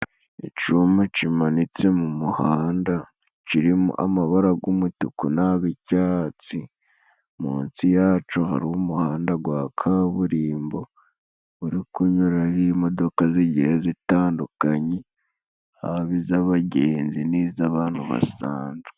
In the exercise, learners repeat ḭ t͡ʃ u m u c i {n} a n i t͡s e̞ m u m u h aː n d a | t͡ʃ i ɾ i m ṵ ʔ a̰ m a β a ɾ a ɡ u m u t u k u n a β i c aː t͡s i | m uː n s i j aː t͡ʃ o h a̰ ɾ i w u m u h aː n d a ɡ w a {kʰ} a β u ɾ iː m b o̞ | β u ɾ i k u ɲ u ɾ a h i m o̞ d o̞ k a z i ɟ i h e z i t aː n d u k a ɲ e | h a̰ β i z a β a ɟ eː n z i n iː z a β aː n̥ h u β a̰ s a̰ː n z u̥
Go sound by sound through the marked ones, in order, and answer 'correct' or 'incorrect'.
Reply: incorrect: m, correct

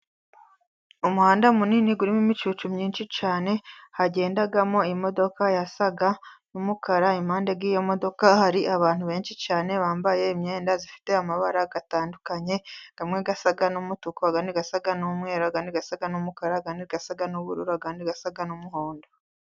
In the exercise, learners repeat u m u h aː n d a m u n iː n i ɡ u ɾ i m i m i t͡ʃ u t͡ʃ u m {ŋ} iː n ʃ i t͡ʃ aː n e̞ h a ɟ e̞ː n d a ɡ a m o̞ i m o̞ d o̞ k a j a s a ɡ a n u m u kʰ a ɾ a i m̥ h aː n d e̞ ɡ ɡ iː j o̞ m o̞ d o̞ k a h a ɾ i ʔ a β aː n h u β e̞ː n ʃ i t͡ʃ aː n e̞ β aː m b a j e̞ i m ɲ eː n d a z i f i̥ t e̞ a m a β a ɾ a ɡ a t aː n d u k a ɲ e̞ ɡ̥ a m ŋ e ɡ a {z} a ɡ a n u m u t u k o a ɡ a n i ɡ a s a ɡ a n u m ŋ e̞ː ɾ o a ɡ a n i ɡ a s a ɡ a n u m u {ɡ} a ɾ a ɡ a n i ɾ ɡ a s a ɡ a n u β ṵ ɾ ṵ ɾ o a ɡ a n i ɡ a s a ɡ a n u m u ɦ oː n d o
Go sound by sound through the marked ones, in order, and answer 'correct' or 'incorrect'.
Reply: incorrect: ɲ, incorrect: s, incorrect: k

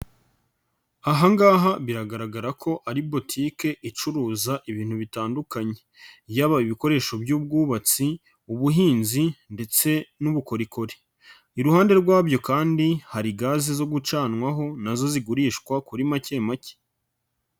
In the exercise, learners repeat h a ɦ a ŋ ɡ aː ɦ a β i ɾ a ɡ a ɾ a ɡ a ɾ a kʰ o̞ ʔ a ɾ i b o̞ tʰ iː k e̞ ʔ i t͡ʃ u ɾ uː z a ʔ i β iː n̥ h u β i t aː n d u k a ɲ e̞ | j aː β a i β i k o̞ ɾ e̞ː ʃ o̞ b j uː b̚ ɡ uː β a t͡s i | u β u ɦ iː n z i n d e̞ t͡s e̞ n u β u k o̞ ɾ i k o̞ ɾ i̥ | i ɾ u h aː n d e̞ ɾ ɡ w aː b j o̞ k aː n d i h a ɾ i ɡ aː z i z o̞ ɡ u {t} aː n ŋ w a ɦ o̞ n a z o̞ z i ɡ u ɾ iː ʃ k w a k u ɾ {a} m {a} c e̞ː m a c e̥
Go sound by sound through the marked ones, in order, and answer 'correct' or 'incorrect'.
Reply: incorrect: t͡ʃ, incorrect: i, correct

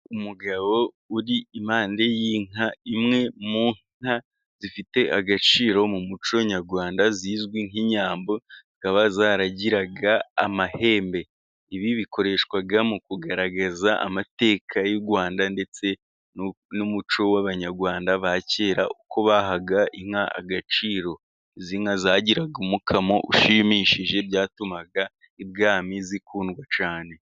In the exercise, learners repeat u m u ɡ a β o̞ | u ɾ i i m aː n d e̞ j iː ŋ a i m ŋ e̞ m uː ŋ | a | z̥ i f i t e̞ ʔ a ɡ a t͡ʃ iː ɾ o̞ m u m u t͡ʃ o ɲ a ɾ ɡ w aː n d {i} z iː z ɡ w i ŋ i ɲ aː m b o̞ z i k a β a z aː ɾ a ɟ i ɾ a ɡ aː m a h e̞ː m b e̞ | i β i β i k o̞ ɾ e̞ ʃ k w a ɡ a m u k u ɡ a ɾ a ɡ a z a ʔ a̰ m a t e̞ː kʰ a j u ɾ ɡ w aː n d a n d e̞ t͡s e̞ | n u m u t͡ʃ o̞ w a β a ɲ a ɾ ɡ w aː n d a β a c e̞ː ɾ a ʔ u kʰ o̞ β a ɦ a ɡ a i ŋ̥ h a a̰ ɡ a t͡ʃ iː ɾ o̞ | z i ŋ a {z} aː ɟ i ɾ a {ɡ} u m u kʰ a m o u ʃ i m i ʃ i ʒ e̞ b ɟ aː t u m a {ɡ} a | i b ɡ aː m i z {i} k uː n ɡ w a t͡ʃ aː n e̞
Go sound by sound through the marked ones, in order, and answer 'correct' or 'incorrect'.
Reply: incorrect: a, correct, correct, correct, correct

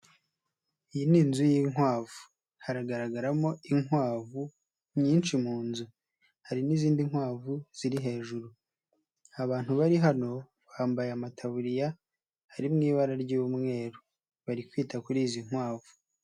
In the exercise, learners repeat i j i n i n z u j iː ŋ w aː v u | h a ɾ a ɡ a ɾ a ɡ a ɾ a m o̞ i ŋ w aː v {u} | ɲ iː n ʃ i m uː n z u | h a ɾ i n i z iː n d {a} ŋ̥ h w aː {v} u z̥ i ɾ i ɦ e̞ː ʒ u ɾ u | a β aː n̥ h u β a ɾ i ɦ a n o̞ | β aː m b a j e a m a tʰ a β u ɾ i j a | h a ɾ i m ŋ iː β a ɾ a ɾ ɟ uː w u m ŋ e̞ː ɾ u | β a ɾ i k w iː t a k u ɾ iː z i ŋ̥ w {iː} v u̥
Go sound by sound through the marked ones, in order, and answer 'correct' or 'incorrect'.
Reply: correct, incorrect: i, correct, incorrect: aː

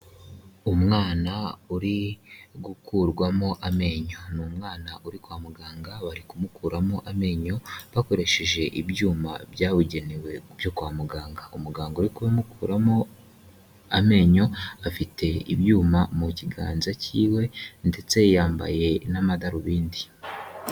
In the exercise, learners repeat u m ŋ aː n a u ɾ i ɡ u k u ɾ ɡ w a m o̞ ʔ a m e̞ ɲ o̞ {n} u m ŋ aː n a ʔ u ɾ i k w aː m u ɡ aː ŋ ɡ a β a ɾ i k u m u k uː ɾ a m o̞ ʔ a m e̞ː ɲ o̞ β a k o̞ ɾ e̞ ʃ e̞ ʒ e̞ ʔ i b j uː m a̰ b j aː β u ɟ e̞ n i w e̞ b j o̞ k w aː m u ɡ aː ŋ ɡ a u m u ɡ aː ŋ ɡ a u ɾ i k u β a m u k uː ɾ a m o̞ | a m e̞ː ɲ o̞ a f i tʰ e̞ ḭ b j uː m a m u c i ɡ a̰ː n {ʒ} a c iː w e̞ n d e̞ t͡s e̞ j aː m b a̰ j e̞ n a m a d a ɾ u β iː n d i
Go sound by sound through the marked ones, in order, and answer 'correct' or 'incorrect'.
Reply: correct, incorrect: z

